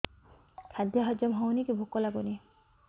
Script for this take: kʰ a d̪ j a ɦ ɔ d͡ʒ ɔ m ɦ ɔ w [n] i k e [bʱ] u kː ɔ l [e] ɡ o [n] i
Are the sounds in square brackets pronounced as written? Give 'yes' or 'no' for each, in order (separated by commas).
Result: yes, yes, no, yes